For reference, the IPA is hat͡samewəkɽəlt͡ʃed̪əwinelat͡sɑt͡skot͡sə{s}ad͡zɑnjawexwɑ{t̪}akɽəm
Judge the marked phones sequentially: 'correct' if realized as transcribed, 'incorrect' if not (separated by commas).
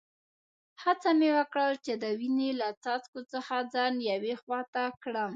incorrect, correct